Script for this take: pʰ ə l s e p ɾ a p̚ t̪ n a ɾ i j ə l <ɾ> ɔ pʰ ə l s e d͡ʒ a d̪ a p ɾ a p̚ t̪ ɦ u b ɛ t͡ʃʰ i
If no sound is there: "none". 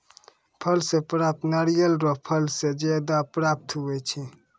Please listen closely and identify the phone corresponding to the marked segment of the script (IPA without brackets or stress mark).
ɾ